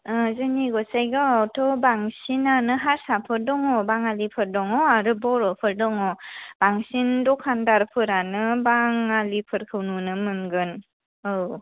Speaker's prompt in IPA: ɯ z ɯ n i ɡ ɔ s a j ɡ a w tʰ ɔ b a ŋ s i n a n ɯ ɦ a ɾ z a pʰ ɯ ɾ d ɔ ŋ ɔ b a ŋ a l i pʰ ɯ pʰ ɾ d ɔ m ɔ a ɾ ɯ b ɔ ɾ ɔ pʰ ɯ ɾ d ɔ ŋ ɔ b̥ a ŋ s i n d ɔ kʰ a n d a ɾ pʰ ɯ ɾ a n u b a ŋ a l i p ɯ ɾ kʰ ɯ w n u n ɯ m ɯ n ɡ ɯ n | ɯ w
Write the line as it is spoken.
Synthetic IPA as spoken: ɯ z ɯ n i ɡ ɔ s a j ɡ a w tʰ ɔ b a ŋ s i n a n ɯ ɦ a ɾ s a pʰ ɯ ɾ d ɔ ŋ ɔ b a ŋ a l i pʰ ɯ ɾ d ɔ ŋ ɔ a ɾ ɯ b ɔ ɾ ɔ pʰ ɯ ɾ d ɔ ŋ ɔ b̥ a ŋ s i n d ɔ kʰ a n d a ɾ pʰ ɯ ɾ a n ɯ b a ŋ a l i pʰ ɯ ɾ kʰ ɯ w n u n ɯ m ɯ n ɡ ɯ n | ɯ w